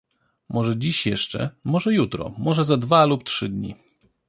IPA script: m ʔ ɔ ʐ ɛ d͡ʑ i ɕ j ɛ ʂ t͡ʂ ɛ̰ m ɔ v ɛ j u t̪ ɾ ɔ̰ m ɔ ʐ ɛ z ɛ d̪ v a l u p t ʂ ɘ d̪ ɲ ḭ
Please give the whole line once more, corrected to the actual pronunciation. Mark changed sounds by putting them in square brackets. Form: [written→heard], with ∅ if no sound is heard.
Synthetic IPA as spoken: m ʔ ɔ ʐ ɛ d͡ʑ i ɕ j ɛ ʂ t͡ʂ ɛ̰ m ɔ [v→ʐ] ɛ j u t̪ ɾ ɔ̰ m ɔ ʐ ɛ z [ɛ→a] d̪ v a l u p t ʂ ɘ d̪ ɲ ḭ